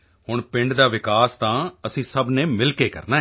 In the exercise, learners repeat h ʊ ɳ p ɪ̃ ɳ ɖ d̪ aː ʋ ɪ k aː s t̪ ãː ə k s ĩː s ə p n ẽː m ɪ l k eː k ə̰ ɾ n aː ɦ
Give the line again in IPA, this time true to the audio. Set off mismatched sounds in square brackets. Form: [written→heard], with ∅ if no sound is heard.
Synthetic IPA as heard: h ʊ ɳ p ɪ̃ ɳ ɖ d̪ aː ʋ ɪ k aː s t̪ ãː ə [k→∅] s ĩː s ə [p→b] n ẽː m ɪ l k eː k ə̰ ɾ n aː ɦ

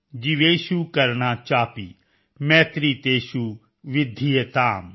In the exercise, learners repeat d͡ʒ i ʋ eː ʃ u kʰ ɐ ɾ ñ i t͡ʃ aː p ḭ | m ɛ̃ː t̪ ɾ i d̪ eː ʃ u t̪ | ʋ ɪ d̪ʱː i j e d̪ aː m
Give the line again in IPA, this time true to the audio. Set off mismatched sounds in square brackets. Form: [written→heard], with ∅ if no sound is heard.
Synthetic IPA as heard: d͡ʒ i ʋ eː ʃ u [kʰ→k] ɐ ɾ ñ [i→a] t͡ʃ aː p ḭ | m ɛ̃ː t̪ ɾ i [d̪→t̪] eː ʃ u [t̪→∅] | ʋ ɪ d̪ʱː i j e [d̪→t̪] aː m

